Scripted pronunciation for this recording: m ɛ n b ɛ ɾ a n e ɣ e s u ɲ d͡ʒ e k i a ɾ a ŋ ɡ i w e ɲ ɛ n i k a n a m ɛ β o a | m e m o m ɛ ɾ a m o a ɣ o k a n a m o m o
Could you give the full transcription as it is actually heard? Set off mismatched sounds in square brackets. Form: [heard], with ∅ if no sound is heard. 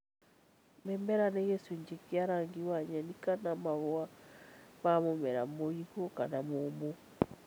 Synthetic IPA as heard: m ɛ [m] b ɛ ɾ a n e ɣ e s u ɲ d͡ʒ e k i a ɾ a ŋ ɡ i w [a] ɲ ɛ n i k a n a m [a] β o a | m [a] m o m ɛ ɾ a m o [i] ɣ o k a n a m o m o